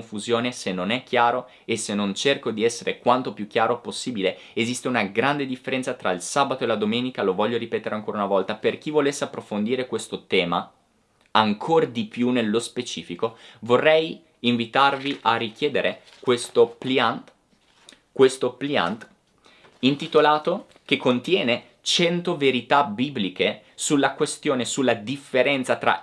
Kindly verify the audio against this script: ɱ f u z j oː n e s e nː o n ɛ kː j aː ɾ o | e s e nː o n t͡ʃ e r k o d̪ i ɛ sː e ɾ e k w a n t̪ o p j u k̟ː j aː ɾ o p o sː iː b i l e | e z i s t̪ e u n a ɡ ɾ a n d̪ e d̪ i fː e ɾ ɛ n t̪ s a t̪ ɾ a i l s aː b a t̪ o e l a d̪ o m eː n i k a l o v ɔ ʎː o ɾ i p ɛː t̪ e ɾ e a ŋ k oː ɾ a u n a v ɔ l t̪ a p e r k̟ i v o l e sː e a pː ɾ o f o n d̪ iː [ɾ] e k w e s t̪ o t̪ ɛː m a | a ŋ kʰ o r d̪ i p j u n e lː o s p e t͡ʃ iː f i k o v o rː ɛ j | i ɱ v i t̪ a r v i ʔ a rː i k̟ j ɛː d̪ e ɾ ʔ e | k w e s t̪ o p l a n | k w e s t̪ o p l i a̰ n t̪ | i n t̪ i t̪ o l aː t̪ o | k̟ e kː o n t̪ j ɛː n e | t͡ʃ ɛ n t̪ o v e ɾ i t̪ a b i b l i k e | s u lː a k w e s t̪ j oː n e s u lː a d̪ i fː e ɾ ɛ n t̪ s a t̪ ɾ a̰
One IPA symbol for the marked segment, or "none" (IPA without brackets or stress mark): ɾ